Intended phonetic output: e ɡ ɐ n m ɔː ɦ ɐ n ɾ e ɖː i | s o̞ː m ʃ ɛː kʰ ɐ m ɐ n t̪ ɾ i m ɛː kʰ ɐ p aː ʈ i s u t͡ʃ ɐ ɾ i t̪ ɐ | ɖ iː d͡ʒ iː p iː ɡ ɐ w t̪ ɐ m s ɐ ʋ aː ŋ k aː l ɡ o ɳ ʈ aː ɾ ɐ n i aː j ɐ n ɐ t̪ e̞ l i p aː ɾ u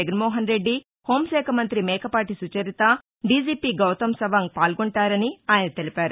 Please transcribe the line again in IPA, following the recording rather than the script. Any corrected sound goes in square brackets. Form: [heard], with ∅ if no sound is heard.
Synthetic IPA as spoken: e ɡ ɐ n m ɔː ɦ ɐ n ɾ e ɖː i | [h] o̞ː m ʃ ɛː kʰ ɐ m ɐ n t̪ ɾ i m ɛː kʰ ɐ p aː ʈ i s u t͡ʃ ɐ ɾ i t̪ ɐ | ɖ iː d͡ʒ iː p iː ɡ ɐ w t̪ ɐ m s ɐ ʋ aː ŋ [p] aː l ɡ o ɳ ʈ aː ɾ ɐ n i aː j ɐ n ɐ t̪ e̞ l i p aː ɾ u